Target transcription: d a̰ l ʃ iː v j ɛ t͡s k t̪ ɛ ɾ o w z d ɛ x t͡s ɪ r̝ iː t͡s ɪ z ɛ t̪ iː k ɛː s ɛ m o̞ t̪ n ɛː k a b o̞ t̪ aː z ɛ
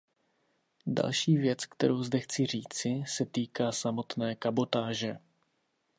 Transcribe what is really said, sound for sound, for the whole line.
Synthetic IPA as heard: d a̰ l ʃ iː v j ɛ t͡s k t̪ ɛ ɾ o w z d ɛ x t͡s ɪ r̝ iː t͡s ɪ s ɛ t̪ iː k aː s a m o̞ t̪ n ɛː k a b o̞ t̪ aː ʒ ɛ